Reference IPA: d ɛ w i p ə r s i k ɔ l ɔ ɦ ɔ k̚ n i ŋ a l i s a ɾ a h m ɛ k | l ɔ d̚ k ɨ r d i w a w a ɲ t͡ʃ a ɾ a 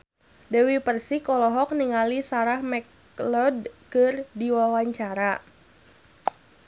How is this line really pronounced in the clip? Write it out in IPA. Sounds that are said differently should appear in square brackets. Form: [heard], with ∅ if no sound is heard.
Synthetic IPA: d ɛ w i p ə r s i k ɔ l ɔ ɦ ɔ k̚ n i ŋ a l i s a ɾ a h m ɛ k | l ɔ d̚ k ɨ r d i w a w a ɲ t͡ʃ a ɾ a